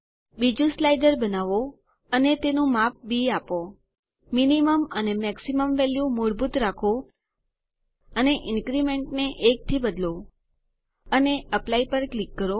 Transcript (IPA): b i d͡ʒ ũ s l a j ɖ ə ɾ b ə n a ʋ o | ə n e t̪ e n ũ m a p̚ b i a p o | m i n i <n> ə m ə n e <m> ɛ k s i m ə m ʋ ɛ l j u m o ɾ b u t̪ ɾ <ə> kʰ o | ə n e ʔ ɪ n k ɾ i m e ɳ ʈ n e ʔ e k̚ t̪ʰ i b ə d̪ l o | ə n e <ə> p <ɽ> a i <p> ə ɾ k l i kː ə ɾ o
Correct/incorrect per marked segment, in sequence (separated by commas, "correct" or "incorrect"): incorrect, correct, incorrect, correct, incorrect, correct